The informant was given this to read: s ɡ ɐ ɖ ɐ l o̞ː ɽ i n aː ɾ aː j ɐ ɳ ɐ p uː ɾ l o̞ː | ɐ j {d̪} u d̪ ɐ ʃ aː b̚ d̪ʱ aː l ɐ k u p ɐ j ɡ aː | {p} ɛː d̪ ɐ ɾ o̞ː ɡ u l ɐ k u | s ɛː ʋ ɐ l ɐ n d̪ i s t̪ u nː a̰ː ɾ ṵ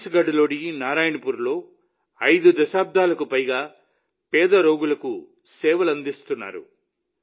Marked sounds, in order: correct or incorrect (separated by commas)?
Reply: correct, correct